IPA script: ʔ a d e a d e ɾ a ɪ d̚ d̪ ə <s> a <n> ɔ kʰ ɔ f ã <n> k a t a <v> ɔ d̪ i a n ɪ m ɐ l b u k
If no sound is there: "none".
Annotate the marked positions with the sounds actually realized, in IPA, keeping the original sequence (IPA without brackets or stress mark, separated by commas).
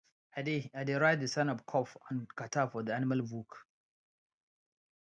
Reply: s, n, n, f